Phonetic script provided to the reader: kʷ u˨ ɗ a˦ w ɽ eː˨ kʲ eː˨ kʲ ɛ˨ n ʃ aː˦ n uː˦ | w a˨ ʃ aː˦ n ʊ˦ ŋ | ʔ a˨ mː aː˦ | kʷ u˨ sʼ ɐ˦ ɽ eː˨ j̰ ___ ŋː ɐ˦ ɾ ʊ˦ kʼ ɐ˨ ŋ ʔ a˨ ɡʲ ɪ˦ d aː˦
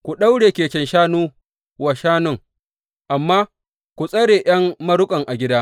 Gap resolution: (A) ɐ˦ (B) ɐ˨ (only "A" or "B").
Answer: A